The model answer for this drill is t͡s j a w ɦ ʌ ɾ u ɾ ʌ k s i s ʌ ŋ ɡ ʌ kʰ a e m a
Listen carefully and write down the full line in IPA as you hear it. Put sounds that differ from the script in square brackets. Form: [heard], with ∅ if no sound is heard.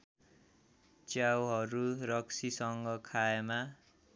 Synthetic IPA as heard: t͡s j a w ɦ ʌ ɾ u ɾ ʌ k s i s ʌ ŋ ɡ ʌ kʰ a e m a